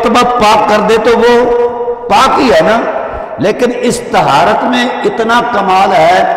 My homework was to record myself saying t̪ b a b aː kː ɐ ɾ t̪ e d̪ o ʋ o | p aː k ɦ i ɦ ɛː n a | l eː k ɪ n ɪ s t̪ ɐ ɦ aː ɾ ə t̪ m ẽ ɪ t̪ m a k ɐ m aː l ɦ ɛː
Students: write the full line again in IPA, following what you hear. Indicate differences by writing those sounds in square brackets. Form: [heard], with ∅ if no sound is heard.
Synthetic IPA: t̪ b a [p] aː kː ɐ ɾ [d̪] e [t̪] o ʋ o | p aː k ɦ i ɦ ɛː n a | l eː k ɪ n ɪ s t̪ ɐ ɦ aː ɾ ə t̪ m ẽ ɪ t̪ [n] a k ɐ m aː l ɦ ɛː